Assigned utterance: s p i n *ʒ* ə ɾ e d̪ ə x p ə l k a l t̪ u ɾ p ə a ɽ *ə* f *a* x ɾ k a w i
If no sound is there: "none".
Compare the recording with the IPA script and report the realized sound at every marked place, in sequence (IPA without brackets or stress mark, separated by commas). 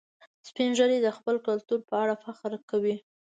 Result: ʒ, a, a